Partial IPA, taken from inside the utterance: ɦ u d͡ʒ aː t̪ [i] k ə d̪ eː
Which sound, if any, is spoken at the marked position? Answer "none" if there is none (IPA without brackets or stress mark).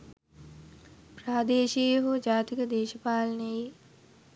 i